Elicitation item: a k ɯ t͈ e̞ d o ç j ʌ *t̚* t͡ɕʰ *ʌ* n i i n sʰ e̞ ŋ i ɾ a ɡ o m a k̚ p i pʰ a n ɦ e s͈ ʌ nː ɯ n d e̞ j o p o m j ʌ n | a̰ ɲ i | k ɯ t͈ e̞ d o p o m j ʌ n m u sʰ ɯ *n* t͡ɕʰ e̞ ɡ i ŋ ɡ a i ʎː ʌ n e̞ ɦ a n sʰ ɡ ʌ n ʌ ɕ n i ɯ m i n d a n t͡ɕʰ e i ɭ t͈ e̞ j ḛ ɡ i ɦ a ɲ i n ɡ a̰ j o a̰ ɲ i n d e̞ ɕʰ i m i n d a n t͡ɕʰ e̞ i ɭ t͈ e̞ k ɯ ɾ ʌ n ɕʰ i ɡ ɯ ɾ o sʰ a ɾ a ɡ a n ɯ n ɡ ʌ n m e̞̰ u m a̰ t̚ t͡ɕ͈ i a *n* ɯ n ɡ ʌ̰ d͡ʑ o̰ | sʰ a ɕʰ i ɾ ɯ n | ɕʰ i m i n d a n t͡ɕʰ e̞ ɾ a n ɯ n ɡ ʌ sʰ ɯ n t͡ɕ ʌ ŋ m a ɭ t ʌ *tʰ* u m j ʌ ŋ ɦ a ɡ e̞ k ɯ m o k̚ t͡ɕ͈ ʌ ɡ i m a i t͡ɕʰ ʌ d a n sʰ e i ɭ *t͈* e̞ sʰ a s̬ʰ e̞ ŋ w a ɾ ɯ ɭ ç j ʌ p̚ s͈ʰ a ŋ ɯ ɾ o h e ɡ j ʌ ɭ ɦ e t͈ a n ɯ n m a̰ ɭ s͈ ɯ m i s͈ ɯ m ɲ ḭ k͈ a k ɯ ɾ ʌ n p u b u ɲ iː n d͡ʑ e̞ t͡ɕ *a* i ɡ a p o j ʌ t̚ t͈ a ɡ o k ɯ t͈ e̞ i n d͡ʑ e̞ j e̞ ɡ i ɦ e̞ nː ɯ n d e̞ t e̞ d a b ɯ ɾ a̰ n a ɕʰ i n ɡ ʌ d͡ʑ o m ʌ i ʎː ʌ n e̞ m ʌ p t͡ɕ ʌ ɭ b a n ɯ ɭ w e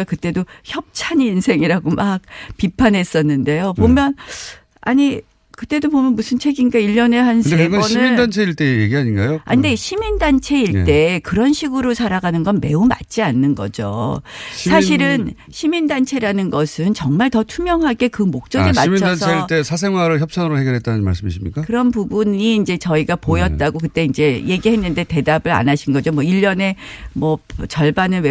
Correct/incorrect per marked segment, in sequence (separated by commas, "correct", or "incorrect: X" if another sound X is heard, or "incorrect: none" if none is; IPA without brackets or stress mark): incorrect: p̚, incorrect: a, correct, incorrect: nː, correct, correct, incorrect: ʌ